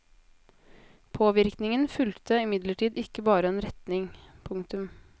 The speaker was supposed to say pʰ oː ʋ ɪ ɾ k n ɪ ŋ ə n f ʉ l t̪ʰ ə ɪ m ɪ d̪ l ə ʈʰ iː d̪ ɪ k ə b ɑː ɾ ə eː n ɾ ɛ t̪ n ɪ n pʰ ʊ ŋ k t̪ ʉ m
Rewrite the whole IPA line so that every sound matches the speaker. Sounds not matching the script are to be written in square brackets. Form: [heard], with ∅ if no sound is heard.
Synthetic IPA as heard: pʰ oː ʋ ɪ ɾ k n ɪ ŋ ə n f ʉ l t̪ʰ ə ɪ m ɪ d̪ l ə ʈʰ iː d̪ ɪ k ə b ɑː ɾ ə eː n ɾ ɛ t̪ n ɪ [ŋ] pʰ ʊ ŋ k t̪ ʉ m